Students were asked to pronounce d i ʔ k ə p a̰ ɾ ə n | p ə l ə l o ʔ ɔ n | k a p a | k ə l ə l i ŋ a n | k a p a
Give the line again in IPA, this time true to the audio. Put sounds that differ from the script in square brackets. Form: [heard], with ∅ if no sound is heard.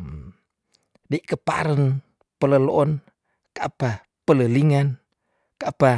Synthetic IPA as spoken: d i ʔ k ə p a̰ ɾ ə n | p ə l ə l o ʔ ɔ n | k a p a | [p] ə l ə l i ŋ a n | k a p a